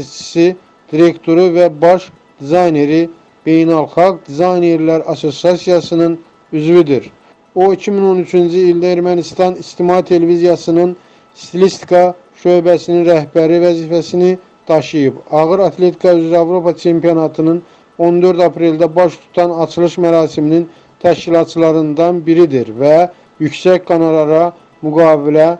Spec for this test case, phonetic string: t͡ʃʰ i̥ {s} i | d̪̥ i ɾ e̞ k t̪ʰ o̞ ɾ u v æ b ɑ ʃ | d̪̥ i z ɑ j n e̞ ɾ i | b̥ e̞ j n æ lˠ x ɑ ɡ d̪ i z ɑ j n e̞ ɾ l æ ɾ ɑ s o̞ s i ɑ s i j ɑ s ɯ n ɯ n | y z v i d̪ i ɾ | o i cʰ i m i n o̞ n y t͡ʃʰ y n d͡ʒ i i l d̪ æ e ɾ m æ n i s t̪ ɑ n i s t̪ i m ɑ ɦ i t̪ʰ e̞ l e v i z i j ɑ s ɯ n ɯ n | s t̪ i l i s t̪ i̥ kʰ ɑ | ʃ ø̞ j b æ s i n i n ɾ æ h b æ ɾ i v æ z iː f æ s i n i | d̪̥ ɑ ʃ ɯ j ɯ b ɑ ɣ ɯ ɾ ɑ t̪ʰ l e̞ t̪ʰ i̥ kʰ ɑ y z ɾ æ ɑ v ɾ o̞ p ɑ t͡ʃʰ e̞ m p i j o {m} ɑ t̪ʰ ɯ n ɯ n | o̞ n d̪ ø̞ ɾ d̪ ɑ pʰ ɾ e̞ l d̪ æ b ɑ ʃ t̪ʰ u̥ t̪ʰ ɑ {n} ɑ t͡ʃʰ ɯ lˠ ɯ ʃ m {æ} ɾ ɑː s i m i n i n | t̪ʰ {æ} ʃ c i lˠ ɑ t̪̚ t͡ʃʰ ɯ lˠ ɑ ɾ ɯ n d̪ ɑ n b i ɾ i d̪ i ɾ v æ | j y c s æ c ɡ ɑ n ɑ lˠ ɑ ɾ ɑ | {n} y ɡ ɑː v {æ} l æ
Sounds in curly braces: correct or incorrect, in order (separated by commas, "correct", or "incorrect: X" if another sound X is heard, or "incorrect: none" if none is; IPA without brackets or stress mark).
correct, incorrect: n, correct, correct, correct, incorrect: m, incorrect: i